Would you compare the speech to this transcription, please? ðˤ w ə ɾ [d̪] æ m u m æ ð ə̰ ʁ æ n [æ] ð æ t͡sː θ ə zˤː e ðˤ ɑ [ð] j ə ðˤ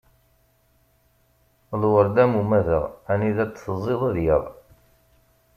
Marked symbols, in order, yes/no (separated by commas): yes, no, yes